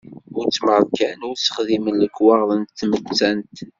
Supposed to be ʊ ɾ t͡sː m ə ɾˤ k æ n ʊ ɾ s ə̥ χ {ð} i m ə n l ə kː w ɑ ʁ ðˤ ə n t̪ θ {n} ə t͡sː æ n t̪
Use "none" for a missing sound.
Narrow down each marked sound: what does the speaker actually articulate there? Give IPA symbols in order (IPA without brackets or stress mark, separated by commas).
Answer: ð, m